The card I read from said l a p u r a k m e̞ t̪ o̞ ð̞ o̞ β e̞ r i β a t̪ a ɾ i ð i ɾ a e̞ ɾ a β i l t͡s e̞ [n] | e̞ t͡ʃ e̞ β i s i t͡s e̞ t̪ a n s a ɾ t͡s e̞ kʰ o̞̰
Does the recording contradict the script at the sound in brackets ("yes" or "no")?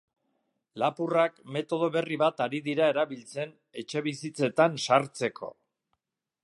no